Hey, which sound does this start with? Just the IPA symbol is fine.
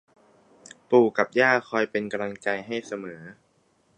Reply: p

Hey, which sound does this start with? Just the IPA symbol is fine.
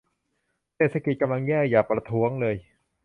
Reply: s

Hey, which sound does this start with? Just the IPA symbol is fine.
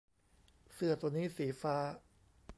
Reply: s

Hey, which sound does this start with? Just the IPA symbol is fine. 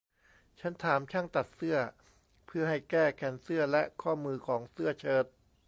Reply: t͡ɕʰ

